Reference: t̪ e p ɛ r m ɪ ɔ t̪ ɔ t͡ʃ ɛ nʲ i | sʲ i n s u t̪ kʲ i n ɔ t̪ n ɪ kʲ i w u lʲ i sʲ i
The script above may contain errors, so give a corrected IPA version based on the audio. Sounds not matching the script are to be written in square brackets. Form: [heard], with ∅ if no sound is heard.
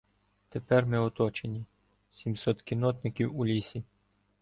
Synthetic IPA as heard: t̪ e p ɛ r m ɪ ɔ t̪ ɔ t͡ʃ [e] nʲ i | sʲ i [m] s [ɔ] t̪ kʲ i n ɔ t̪ n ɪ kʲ i w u lʲ i sʲ i